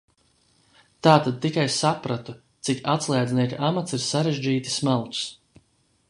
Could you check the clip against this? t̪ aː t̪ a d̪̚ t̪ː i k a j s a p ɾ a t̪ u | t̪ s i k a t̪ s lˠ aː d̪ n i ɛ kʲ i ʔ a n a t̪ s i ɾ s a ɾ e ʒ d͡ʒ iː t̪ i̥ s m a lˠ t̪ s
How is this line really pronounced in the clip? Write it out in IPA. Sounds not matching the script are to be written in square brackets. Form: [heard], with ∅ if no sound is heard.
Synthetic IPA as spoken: t̪ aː t̪ a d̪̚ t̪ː i k a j s a p ɾ a t̪ u | t̪ s i k a t̪ s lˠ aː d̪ n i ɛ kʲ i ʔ a [m] a t̪ s i ɾ s a ɾ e ʒ d͡ʒ iː t̪ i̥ s m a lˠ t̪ s